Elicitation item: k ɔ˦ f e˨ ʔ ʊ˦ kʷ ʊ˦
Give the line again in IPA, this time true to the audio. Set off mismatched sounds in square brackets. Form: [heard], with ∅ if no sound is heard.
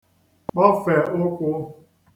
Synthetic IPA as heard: [k͡p] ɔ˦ f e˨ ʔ ʊ˦ kʷ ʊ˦

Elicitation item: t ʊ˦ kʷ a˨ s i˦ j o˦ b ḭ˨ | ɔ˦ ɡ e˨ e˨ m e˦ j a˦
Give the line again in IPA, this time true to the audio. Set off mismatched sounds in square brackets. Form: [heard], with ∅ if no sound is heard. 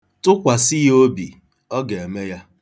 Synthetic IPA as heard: t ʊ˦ kʷ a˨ s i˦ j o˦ b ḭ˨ | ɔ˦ ɡ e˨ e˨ m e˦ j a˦

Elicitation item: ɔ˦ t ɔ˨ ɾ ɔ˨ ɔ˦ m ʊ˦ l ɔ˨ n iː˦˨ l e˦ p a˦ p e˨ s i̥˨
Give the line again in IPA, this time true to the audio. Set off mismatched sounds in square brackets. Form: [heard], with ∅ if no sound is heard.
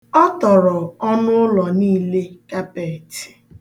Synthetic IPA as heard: ɔ˦ t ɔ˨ ɾ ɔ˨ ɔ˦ [n] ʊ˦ l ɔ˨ n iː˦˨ l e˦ [k] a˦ p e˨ [t] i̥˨

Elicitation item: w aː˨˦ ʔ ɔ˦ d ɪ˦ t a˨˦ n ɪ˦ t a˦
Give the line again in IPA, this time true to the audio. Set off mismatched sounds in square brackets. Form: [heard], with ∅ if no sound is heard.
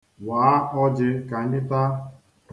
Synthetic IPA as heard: w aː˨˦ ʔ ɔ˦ [d͡ʒ] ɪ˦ [k] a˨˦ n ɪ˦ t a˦

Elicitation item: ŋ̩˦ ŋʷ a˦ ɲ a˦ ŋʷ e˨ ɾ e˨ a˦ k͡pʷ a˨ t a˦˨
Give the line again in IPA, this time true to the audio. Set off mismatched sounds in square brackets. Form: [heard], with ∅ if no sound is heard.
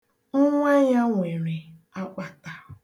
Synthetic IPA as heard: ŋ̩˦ ŋʷ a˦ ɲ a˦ ŋʷ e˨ ɾ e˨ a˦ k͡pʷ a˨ t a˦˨

